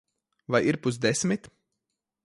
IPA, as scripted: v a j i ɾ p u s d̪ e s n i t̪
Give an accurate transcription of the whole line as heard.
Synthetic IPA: v a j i ɾ p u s d̪ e s m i t̪